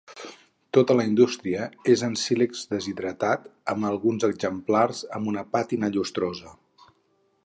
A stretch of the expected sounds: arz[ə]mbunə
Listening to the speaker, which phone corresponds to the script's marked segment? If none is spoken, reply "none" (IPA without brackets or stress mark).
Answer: ə